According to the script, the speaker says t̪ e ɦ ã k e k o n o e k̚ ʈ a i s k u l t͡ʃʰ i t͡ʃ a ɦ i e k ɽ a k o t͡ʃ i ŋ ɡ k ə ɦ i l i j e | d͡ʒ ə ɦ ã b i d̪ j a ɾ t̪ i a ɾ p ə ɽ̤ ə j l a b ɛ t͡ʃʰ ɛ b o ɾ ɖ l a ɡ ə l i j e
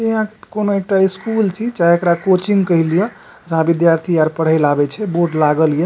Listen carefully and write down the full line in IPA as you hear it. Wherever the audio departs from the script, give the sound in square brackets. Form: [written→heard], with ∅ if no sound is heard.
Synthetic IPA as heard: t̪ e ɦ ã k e k o n o e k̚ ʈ a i s k u l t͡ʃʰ i t͡ʃ a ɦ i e k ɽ a k o t͡ʃ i ŋ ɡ k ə ɦ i l i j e | d͡ʒ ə ɦ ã b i d̪ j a ɾ [t̪→t̪ʰ] i a ɾ p ə ɽ̤ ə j l a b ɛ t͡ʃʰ ɛ b o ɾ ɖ l a ɡ ə l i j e